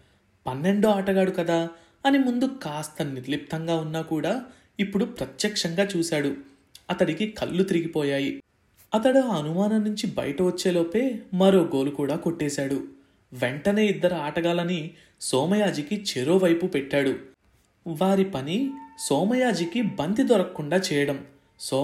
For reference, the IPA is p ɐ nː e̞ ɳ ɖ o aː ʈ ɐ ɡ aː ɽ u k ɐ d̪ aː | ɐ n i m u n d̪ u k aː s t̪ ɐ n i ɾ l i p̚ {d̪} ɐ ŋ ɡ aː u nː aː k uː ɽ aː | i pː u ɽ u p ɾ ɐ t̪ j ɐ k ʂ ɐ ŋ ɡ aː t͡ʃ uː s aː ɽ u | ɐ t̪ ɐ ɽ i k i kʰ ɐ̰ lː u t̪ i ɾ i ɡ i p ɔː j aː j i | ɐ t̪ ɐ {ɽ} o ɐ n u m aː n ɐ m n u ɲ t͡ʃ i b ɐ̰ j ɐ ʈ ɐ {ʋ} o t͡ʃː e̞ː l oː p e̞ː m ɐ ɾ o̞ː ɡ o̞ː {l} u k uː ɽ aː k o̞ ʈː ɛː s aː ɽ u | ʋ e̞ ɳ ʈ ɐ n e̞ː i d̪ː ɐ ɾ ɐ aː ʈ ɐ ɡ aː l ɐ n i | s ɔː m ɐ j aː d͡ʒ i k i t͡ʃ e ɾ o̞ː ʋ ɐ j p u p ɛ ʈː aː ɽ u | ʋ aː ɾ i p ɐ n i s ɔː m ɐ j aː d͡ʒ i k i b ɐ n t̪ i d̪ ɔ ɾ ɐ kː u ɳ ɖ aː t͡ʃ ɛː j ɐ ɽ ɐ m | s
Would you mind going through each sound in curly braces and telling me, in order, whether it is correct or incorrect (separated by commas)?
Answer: incorrect, correct, correct, correct